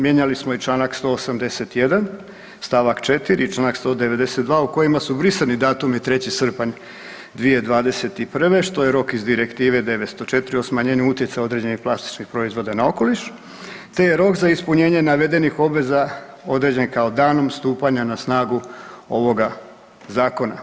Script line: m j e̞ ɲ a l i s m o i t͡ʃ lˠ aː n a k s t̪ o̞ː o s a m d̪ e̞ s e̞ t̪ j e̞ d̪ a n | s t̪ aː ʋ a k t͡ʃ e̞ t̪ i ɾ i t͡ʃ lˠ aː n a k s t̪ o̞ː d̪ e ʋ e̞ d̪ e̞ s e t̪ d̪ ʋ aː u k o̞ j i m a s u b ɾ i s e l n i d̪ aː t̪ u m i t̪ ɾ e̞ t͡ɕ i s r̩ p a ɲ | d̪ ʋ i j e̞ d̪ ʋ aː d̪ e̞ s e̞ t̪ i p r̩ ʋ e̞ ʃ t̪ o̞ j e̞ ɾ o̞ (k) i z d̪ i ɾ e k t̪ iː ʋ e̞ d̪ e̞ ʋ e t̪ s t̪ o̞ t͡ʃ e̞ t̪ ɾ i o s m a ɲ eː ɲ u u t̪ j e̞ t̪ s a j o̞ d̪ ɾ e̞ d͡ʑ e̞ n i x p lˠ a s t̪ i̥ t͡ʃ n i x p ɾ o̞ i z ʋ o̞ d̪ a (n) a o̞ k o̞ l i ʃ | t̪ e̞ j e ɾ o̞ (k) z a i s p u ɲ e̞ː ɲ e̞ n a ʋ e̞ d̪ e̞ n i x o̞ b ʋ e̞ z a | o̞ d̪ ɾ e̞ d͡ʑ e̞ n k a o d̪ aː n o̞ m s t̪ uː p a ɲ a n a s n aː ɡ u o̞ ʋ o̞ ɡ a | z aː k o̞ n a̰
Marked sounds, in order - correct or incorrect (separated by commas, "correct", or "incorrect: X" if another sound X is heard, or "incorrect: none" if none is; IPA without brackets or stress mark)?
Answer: correct, correct, correct